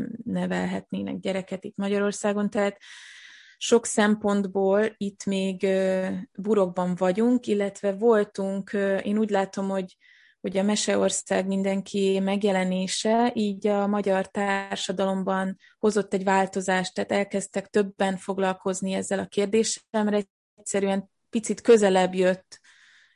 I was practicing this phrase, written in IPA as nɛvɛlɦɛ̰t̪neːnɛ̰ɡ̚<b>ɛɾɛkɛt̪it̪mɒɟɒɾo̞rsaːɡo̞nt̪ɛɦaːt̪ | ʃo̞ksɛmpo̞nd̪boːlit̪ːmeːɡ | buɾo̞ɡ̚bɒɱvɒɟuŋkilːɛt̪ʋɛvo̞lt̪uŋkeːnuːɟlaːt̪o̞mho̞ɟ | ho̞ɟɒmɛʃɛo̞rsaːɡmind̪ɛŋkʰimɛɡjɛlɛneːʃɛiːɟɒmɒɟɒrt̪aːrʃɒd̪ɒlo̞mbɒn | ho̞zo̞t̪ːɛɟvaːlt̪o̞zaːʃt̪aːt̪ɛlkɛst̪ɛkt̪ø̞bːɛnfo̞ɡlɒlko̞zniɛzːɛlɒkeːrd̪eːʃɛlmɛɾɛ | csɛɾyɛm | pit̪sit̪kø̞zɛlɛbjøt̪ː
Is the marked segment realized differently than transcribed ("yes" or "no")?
yes